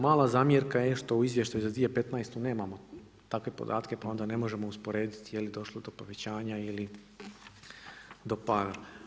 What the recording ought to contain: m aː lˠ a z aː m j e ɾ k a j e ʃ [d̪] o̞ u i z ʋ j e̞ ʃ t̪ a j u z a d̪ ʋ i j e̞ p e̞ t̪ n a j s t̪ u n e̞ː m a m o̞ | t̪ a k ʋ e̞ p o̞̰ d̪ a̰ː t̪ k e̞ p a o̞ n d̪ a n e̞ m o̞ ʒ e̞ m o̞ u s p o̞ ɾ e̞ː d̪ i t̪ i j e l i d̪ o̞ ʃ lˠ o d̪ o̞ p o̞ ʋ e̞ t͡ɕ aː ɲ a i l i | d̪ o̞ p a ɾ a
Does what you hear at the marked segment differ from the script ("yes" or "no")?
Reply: yes